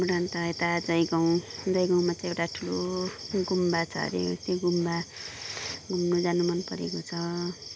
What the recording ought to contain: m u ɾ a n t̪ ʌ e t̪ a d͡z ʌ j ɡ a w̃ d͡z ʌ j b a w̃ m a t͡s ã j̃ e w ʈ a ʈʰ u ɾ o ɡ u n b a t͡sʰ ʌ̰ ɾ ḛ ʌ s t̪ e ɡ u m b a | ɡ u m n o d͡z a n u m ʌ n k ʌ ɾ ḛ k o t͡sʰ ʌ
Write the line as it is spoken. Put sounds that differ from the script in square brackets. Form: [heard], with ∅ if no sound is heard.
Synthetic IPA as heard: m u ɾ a n t̪ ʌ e t̪ a d͡z ʌ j ɡ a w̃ d͡z ʌ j [ɡ] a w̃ m a t͡s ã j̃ e w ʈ a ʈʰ u [l] o ɡ u [m] b a t͡sʰ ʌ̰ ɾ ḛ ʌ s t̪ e ɡ u m b a | ɡ u m n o d͡z a n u m ʌ n [p] ʌ ɾ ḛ k o t͡sʰ ʌ

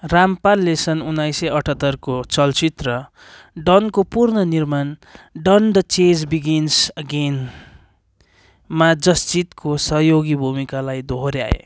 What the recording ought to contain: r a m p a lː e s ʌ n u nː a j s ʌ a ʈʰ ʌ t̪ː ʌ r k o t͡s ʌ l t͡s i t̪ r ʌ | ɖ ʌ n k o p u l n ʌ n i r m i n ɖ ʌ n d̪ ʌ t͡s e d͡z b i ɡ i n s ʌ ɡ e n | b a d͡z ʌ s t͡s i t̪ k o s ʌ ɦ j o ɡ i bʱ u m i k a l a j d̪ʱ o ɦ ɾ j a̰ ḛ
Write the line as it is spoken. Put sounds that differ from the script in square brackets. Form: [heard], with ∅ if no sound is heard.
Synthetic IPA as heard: r a m p a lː e s ʌ n u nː a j s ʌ [ʌ] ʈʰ ʌ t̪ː ʌ r k o t͡s ʌ l t͡s i t̪ r ʌ | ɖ ʌ n k o p u [r] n ʌ n i r m [a] n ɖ ʌ n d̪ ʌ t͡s e d͡z b i ɡ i n s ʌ ɡ e n | [m] a d͡z ʌ s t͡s i t̪ k o s ʌ ɦ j o ɡ i bʱ u m i k a l a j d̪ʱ o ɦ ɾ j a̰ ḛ

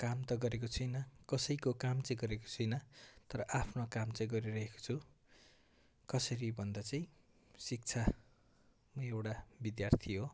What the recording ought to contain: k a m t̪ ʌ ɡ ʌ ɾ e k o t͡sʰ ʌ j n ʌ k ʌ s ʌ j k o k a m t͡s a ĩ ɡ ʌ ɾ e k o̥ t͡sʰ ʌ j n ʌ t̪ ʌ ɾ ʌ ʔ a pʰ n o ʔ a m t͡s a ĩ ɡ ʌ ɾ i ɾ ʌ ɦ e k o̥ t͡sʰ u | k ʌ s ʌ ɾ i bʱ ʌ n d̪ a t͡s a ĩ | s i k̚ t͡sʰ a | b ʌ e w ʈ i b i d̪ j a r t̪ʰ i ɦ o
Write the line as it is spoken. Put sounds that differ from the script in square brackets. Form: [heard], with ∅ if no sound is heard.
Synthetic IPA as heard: k a m t̪ ʌ ɡ ʌ ɾ e k o t͡sʰ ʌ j n ʌ k ʌ s ʌ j k o k a m t͡s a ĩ ɡ ʌ ɾ e k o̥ t͡sʰ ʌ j n ʌ t̪ ʌ ɾ ʌ ʔ a pʰ n o [k] a m t͡s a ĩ ɡ ʌ ɾ i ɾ ʌ ɦ e k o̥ t͡sʰ u | k ʌ s ʌ ɾ i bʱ ʌ n d̪ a t͡s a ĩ | s i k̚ t͡sʰ a | [m] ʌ e w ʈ [a] b i d̪ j a r t̪ʰ i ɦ o

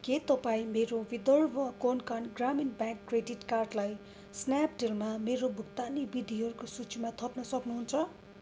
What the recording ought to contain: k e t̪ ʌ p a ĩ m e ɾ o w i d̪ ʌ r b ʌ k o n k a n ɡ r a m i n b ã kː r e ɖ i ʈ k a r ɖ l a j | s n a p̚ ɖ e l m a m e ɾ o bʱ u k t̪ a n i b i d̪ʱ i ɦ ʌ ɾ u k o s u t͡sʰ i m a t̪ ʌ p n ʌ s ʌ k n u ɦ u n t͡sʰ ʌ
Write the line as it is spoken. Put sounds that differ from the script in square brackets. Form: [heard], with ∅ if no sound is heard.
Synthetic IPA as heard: k e t̪ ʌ p a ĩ m e ɾ o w i d̪ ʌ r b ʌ k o n k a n ɡ r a m i n b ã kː r e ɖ i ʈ k a r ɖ l a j | s n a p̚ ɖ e l m a m e ɾ o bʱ u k t̪ a n i b i d̪ʱ i ɦ ʌ ɾ u k o s u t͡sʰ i m a [t̪ʰ] ʌ p n ʌ s ʌ k n u ɦ u n t͡sʰ ʌ

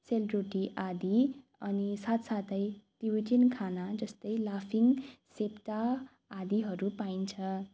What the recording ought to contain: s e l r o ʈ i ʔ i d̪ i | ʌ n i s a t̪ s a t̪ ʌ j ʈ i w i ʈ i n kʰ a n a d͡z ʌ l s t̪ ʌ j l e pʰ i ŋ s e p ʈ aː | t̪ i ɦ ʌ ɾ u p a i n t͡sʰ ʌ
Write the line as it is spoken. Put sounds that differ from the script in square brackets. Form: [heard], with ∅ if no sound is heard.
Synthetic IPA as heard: s e l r o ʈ i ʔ [a] d̪ i | ʌ n i s a t̪ s a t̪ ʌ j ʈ i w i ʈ i n kʰ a n a d͡z ʌ [∅] s t̪ ʌ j l [a] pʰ i ŋ s e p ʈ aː | [d̪] i ɦ ʌ ɾ u p a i n t͡sʰ ʌ

